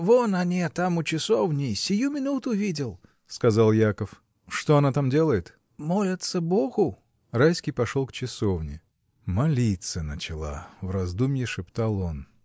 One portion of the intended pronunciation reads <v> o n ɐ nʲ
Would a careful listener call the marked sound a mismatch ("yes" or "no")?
no